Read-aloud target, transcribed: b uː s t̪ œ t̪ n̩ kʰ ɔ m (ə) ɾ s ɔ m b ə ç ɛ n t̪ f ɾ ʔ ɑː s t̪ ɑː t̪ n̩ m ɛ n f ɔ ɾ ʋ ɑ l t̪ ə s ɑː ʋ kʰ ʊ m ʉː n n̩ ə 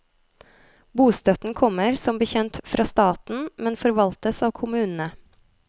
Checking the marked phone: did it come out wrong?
no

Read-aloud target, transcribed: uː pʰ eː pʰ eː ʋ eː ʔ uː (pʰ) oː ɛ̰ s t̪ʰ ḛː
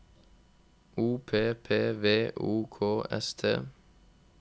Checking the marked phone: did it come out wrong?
yes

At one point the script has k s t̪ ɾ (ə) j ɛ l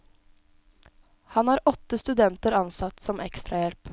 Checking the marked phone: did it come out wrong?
yes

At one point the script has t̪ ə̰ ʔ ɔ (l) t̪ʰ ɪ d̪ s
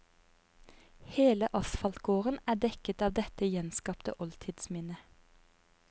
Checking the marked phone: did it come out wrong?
no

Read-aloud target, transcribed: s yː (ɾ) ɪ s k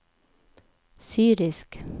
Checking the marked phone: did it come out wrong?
no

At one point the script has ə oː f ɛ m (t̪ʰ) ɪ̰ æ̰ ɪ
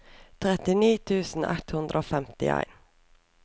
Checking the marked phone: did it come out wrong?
yes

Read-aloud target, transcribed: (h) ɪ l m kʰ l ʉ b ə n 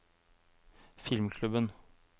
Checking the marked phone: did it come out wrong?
yes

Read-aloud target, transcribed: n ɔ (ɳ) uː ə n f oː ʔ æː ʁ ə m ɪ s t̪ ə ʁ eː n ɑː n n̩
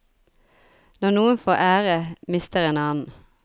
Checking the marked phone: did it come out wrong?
yes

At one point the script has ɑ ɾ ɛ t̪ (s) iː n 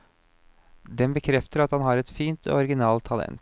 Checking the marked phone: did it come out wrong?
yes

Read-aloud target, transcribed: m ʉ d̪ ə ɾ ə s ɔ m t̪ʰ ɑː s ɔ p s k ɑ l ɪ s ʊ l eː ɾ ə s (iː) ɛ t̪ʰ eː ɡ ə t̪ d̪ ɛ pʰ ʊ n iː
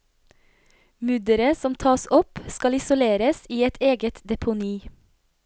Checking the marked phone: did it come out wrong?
no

